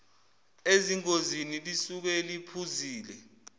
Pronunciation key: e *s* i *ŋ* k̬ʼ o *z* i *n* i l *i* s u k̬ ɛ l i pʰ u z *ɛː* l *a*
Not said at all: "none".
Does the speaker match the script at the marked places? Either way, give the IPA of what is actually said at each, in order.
z, ŋ, z, n, i, iː, ɛ

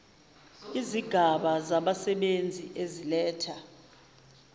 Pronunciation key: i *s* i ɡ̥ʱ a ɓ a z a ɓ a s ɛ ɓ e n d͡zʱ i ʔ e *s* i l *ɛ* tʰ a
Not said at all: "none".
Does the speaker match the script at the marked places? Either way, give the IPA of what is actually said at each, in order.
z, z, ɛː

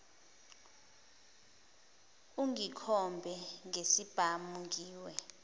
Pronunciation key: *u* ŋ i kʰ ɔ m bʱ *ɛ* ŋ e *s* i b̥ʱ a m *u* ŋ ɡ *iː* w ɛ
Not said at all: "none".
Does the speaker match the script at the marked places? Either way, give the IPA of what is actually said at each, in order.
u, ɛ, s, u, iː

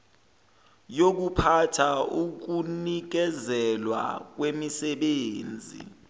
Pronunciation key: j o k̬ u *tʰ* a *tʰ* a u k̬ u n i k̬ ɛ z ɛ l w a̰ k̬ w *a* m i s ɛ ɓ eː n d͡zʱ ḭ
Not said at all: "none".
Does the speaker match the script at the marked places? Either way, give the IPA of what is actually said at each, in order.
pʰ, tʰ, e

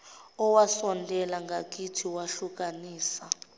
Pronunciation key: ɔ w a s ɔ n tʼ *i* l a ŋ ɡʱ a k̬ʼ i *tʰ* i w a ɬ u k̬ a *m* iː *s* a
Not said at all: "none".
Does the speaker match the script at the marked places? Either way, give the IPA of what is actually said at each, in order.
ɛ, tʰ, n, s

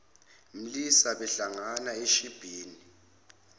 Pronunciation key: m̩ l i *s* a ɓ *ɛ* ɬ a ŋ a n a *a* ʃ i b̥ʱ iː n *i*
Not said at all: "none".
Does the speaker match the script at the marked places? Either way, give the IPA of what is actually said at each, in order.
s, ɛ, e, i

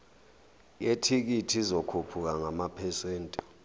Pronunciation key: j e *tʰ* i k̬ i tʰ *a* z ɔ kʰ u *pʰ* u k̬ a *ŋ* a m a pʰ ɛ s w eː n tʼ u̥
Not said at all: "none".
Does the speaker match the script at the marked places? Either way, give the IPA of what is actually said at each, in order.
tʰ, i, pʰ, ŋ

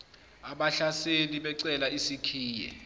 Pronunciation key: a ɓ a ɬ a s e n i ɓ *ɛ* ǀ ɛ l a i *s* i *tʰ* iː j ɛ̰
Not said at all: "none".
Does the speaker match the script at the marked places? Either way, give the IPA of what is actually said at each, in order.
ɛ, s, kʰ

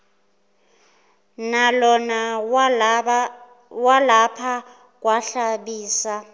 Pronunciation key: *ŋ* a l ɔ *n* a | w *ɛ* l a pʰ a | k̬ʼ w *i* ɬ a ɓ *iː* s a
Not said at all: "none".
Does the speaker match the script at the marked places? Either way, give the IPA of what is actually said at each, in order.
n, n, a, a, iː

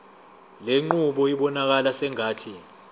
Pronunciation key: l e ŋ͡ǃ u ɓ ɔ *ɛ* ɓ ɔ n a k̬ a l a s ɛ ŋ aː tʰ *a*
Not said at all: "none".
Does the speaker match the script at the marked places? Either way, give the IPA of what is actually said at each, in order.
i, i

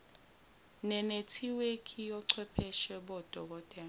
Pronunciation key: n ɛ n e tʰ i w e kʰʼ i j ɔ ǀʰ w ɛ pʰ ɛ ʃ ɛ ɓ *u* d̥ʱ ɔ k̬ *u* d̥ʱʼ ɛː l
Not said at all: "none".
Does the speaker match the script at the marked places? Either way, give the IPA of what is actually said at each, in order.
ɔ, ɔ

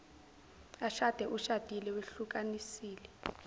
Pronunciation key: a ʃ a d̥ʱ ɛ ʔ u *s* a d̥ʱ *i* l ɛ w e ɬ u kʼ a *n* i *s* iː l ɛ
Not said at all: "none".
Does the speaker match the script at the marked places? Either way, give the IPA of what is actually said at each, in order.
ʃ, i, n, s

